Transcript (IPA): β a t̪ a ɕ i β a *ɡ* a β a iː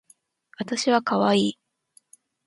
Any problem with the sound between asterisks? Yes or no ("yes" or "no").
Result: yes